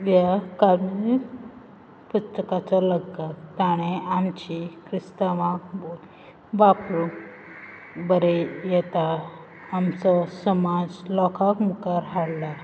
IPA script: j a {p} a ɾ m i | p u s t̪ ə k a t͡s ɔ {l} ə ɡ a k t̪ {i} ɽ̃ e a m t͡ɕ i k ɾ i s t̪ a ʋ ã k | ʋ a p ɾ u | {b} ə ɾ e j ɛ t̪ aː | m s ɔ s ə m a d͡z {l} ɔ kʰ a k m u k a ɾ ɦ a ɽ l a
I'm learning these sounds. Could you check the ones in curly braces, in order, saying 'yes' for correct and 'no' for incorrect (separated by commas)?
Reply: no, yes, no, yes, yes